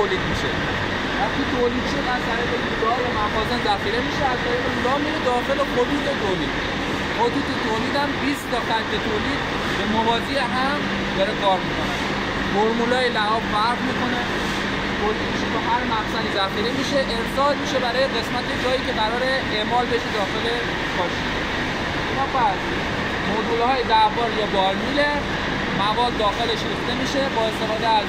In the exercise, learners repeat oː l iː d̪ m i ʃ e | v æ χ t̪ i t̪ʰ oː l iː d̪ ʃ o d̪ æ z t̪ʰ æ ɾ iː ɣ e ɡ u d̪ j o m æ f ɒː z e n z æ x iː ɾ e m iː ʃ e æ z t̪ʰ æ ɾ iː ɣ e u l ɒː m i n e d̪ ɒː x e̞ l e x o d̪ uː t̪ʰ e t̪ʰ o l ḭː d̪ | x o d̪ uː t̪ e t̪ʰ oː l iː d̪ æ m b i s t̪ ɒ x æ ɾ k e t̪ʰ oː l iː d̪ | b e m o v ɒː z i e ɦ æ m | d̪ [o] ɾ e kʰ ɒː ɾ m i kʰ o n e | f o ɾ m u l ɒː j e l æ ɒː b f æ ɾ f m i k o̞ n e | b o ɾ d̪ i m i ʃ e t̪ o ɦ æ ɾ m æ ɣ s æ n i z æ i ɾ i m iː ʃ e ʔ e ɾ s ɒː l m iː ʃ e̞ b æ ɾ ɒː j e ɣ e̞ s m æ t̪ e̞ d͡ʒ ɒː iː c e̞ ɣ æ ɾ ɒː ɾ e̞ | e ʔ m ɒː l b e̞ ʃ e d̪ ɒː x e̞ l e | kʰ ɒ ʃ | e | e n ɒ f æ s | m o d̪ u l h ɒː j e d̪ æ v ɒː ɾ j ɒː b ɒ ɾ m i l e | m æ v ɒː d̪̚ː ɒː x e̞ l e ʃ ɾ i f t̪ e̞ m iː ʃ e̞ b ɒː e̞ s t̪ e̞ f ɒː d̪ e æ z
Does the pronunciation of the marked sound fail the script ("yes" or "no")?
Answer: yes